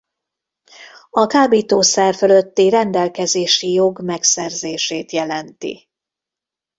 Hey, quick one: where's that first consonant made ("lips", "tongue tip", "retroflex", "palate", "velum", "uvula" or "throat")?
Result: velum